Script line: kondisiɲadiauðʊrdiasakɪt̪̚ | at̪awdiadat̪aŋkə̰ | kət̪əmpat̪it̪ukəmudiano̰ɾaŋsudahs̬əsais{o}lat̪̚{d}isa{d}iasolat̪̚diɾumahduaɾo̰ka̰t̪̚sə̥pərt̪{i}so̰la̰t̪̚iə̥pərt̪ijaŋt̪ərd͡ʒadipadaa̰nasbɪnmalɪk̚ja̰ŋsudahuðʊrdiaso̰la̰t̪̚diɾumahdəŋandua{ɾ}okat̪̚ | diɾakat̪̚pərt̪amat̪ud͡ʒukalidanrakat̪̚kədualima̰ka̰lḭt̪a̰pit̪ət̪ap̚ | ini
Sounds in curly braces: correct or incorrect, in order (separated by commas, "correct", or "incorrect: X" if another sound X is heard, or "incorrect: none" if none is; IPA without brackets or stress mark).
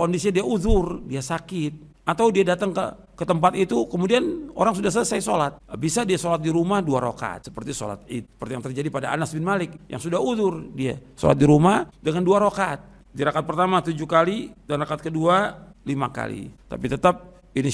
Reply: correct, incorrect: b, correct, correct, correct